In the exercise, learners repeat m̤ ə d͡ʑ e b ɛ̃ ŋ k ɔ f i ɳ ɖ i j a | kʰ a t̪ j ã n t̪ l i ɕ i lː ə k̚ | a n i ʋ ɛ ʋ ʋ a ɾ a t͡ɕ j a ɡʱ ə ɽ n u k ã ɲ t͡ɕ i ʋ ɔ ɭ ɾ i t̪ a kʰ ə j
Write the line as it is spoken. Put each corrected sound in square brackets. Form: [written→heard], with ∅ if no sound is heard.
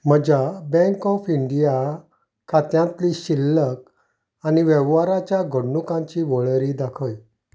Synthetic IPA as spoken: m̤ ə d͡ʑ [e→a] b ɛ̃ ŋ k ɔ f i ɳ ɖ i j a | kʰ a t̪ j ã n t̪ l i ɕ i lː ə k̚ | a n i ʋ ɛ ʋ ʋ a ɾ a t͡ɕ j a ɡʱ ə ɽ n u k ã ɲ t͡ɕ i ʋ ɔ ɭ ɾ i [t̪→d̪] a kʰ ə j